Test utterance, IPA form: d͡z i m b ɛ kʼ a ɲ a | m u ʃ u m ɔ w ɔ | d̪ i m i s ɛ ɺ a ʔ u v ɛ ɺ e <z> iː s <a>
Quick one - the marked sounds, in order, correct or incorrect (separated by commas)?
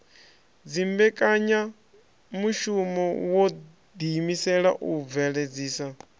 incorrect, correct